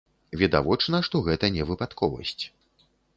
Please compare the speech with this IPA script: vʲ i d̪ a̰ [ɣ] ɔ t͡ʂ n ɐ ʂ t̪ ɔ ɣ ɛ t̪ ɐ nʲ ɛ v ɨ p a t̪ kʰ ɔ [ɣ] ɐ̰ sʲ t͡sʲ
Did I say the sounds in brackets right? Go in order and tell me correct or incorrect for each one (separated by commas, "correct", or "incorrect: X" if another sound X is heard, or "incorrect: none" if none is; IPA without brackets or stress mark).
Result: incorrect: v, incorrect: v